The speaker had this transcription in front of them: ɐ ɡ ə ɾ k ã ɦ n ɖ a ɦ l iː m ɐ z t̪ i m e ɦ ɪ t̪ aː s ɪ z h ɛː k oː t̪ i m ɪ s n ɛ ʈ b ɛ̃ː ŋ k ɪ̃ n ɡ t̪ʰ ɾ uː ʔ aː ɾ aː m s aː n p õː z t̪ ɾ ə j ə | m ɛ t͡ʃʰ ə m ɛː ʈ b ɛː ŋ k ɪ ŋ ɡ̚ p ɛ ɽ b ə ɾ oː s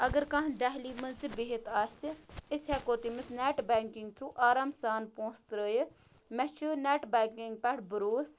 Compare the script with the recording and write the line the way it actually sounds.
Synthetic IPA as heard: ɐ ɡ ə ɾ k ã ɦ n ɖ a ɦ l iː m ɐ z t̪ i b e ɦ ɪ t̪ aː s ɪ s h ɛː k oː t̪ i m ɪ s n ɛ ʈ b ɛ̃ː ŋ k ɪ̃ ŋ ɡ t̪ʰ ɾ uː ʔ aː ɾ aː m s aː n p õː s t̪ ɾ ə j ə | m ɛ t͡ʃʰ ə n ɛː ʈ b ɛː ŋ k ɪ ŋ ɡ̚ p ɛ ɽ b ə ɾ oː s